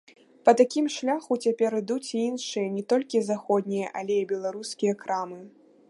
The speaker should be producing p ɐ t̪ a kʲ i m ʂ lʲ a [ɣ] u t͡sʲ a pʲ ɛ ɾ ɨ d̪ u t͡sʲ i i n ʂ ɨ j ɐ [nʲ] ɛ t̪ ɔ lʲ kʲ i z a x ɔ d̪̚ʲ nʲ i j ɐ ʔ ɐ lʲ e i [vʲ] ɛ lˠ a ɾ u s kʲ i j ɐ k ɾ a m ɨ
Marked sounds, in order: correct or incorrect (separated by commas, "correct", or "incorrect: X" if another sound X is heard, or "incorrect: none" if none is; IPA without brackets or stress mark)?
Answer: incorrect: x, correct, incorrect: bʲ